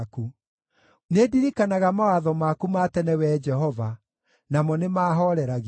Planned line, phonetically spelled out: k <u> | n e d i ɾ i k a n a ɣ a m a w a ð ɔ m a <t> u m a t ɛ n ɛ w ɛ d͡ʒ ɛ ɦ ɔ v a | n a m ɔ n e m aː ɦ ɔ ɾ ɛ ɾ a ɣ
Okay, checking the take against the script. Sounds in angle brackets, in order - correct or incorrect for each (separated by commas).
correct, incorrect